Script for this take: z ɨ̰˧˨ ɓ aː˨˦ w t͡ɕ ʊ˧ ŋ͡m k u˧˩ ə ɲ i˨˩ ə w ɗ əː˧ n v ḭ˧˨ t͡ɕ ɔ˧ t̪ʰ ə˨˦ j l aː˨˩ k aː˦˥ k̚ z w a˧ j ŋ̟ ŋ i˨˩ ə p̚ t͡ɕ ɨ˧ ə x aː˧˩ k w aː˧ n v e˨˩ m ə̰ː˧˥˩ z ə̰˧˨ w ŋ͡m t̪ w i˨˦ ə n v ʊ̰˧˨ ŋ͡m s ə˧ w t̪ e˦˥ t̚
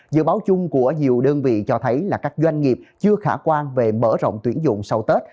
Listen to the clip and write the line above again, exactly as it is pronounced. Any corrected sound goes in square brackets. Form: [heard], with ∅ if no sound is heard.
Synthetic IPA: z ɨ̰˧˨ ɓ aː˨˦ w t͡ɕ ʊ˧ ŋ͡m k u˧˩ ə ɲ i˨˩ ə w ɗ əː˧ n v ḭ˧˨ t͡ɕ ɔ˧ t̪ʰ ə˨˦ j l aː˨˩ k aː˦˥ k̚ z w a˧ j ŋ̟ ŋ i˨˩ ə p̚ t͡ɕ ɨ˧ ə x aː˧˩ k w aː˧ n v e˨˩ m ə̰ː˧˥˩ z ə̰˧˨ w ŋ͡m t̪ w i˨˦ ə n [z] ʊ̰˧˨ ŋ͡m s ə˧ w t̪ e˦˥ t̚